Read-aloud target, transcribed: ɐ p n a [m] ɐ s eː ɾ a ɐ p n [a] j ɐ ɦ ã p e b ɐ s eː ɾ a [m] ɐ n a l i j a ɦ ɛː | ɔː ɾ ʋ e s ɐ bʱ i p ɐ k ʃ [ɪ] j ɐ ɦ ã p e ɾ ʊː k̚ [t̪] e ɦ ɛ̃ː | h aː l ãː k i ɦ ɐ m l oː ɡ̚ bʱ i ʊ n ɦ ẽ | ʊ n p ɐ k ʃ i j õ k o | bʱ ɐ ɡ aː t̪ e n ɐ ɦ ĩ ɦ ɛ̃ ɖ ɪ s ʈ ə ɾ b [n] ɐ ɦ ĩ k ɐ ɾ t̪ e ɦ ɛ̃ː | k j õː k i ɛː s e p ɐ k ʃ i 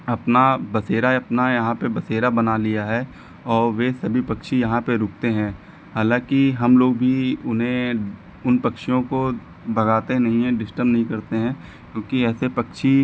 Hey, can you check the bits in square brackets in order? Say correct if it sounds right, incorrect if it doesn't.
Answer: incorrect: b, correct, incorrect: b, incorrect: i, correct, correct

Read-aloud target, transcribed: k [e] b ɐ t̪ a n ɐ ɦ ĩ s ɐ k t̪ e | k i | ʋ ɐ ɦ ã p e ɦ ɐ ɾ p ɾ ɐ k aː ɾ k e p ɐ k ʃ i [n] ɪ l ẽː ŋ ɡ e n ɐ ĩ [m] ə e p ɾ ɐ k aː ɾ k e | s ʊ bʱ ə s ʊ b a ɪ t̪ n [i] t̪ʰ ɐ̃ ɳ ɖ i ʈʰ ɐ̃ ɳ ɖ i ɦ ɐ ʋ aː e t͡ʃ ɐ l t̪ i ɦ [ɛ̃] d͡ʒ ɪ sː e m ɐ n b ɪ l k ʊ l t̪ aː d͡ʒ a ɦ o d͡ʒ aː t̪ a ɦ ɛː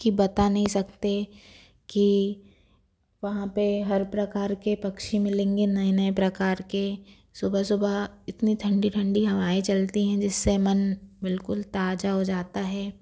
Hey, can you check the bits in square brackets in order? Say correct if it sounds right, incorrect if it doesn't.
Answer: incorrect: i, incorrect: m, incorrect: n, correct, correct

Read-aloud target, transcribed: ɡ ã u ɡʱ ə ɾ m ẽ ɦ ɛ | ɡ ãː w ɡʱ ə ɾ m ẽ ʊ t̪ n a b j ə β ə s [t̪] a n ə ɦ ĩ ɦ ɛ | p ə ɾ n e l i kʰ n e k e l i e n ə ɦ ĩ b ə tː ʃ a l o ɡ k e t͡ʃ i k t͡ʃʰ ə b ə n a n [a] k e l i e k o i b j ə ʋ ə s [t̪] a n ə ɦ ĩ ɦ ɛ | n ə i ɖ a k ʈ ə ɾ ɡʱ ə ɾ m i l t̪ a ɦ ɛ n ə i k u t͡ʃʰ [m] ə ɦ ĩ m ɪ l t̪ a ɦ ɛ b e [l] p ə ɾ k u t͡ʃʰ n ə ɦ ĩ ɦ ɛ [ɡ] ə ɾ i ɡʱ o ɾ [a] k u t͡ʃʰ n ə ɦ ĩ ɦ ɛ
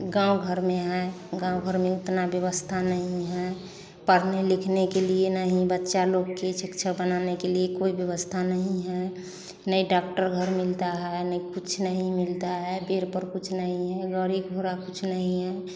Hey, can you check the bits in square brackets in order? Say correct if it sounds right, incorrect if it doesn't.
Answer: incorrect: t̪ʰ, incorrect: e, incorrect: t̪ʰ, incorrect: n, incorrect: ɾ, correct, correct

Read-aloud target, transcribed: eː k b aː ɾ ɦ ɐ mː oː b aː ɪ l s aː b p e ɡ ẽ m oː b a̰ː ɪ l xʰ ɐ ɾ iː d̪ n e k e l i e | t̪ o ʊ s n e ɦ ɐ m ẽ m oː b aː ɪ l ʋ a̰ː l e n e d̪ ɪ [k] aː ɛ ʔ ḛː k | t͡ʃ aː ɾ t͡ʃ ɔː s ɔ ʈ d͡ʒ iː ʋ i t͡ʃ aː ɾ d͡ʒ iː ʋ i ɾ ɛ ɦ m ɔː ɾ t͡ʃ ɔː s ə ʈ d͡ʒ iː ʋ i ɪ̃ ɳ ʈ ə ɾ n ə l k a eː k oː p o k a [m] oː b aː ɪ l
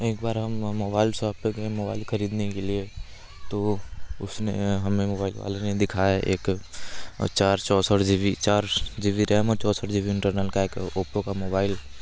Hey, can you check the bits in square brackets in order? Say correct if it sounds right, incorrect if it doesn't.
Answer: incorrect: kʰ, correct

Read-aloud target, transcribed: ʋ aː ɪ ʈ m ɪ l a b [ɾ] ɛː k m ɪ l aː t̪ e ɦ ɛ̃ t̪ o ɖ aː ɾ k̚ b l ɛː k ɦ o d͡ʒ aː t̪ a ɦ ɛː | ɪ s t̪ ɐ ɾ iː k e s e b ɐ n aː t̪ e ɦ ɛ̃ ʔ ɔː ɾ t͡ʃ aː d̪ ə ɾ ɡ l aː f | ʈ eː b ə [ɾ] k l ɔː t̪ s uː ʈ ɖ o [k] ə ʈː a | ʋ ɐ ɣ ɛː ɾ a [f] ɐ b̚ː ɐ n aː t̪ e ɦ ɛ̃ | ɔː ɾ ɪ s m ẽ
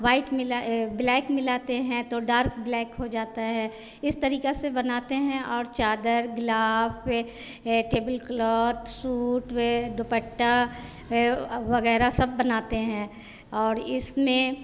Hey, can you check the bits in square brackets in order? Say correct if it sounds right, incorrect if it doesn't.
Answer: incorrect: l, incorrect: l, incorrect: p, incorrect: s

